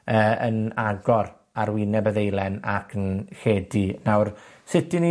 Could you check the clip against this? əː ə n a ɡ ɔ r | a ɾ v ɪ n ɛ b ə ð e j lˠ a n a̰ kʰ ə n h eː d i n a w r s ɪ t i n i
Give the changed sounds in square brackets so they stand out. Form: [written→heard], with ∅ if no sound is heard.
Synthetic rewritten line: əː ə n a ɡ ɔ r | a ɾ [v→w] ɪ n ɛ b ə ð e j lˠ [a→ɛ] n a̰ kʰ ə n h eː d i n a w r s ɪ t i n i